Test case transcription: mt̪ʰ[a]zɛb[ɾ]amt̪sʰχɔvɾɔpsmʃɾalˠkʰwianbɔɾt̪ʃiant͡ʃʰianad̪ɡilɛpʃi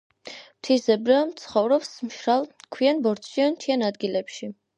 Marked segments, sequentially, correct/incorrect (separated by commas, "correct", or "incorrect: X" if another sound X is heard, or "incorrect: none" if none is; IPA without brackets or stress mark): incorrect: i, correct